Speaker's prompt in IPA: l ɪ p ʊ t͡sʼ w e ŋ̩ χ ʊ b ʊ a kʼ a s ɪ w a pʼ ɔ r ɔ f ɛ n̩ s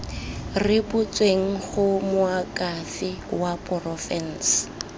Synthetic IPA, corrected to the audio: r ɪ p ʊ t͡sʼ w e ŋ̩ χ ʊ m ʊ a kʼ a f ɪ w a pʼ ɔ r ɔ f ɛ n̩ s

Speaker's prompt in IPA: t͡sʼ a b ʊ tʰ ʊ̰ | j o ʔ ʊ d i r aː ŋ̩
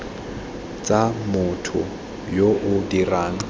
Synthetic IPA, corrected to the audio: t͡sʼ a m ʊ tʰ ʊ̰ | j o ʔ ʊ d i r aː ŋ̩

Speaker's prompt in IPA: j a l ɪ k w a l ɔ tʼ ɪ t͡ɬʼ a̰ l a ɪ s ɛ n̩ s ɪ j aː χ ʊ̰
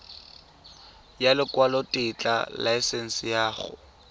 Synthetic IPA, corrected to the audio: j a l ɪ k w a l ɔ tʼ ɪ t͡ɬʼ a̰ l a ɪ s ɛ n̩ s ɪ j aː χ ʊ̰

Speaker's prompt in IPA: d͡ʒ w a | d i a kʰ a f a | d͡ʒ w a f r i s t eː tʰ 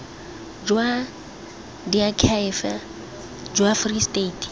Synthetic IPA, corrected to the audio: d͡ʒ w a | d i a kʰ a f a | d͡ʒ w a f r i s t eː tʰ

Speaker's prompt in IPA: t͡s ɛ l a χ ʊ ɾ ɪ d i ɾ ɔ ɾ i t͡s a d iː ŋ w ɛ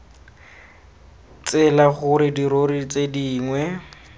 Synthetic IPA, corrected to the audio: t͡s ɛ l a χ ʊ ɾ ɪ d i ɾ o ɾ i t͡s e d iː ŋ w ɛ

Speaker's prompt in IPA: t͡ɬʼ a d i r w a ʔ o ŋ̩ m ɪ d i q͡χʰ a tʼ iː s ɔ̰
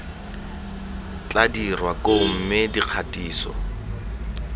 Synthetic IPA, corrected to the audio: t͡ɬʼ a d i r w a k o m̩ m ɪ d i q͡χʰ a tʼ iː s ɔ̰

